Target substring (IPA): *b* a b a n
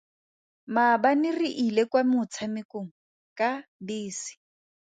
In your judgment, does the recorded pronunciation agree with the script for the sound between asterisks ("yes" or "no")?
no